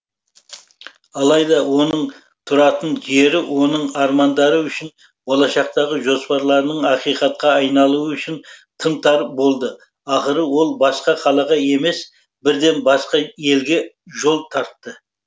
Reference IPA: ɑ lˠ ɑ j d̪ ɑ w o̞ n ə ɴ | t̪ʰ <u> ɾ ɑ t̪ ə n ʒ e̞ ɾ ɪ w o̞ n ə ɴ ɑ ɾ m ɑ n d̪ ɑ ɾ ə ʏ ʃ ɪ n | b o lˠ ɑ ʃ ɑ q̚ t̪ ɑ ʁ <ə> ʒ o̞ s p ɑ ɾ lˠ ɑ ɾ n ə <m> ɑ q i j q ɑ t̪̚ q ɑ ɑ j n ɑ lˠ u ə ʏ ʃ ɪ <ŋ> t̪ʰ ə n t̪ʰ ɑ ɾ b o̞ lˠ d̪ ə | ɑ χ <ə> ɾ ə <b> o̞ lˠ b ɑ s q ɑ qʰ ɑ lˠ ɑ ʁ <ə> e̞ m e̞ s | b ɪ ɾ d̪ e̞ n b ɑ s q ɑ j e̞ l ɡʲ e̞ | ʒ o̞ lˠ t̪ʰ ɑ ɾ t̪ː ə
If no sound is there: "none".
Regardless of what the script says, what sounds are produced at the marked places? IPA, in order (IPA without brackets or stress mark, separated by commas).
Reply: ʊ, ə, ɴ, n, ə, w, ɑ